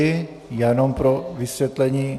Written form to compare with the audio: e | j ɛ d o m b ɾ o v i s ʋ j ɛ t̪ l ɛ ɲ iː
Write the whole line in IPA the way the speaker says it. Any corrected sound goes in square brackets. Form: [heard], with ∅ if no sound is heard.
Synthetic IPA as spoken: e | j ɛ [n] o m [p] ɾ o [ʋ] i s ʋ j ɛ t̪ l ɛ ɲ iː